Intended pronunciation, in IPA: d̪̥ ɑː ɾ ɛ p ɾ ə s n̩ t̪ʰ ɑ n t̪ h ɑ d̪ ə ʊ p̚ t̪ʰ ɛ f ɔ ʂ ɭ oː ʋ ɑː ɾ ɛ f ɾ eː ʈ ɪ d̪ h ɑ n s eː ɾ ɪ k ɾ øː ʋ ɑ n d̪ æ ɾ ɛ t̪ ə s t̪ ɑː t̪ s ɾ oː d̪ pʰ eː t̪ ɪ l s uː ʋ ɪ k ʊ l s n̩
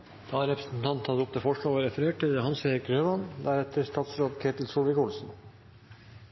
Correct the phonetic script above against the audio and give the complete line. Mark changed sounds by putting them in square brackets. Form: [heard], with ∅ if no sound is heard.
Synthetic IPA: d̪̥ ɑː ɾ ɛ p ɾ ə s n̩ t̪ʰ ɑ n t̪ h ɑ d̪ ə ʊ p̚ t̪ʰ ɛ f ɔ ʂ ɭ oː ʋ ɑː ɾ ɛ f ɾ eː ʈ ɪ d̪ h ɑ n s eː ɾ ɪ k ɾ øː ʋ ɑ n d̪ æ ɾ ɛ t̪ ə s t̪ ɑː t̪ s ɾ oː d̪ [kʰ] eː t̪ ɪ l s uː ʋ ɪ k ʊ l s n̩